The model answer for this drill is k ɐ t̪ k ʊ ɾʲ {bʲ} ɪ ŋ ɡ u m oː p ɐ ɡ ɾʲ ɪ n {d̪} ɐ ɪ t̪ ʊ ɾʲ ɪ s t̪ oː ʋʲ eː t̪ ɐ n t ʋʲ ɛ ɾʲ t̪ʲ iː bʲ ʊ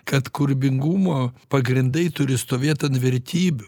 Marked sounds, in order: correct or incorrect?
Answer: correct, correct

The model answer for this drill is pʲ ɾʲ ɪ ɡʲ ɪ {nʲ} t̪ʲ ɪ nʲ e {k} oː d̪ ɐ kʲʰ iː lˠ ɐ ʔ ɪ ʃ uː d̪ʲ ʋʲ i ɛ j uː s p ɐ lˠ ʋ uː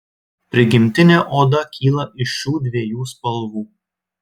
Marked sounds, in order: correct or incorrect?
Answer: incorrect: mʲ, incorrect: ʔ

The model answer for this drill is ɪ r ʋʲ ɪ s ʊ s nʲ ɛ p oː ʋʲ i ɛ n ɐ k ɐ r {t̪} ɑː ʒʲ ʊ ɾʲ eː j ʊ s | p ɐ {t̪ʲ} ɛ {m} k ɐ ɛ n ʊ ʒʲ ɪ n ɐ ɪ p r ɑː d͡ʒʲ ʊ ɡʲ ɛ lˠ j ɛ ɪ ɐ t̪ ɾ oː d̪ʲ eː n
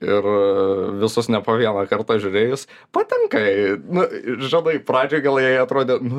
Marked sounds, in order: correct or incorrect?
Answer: correct, correct, incorrect: ŋ

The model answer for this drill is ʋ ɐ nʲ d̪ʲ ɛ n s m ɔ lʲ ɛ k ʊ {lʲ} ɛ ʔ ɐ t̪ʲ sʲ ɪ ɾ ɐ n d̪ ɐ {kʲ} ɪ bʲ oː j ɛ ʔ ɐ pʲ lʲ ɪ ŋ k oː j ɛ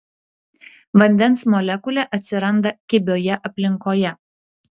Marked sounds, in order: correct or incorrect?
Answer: correct, correct

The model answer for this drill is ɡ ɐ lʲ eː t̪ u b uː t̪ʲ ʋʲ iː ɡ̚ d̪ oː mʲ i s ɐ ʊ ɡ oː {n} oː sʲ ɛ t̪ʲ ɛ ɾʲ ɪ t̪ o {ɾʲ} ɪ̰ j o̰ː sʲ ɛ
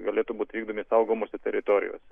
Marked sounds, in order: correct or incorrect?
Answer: incorrect: m, correct

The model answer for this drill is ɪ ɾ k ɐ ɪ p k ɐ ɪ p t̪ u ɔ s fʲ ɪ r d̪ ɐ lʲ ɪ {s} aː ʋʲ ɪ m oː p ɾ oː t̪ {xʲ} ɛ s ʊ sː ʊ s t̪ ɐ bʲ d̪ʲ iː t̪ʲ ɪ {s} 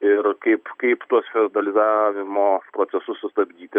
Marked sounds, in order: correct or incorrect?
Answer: incorrect: z, incorrect: sʲ, incorrect: none

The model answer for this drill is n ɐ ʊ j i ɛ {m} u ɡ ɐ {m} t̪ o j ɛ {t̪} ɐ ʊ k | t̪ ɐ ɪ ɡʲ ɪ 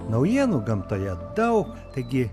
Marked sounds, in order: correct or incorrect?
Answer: incorrect: n, correct, incorrect: d̪

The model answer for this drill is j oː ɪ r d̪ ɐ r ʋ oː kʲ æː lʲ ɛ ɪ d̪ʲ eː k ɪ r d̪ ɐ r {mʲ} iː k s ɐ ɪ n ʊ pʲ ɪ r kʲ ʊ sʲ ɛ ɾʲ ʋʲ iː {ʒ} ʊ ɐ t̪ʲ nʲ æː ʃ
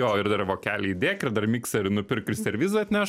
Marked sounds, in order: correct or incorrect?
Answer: correct, incorrect: z

